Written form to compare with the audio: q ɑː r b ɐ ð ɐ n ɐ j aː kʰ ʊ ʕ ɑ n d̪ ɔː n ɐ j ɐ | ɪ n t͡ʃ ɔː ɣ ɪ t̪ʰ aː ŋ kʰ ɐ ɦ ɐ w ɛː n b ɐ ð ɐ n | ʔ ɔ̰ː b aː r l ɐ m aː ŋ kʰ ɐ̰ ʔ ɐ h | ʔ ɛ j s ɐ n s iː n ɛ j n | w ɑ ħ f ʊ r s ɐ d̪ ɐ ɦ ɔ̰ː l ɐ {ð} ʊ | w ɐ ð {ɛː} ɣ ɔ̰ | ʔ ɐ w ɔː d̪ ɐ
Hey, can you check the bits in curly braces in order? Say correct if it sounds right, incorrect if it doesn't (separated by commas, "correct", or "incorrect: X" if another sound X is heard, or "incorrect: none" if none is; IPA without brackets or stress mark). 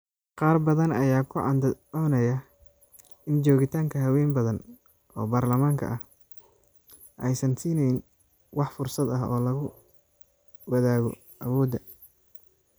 incorrect: ɣ, incorrect: aː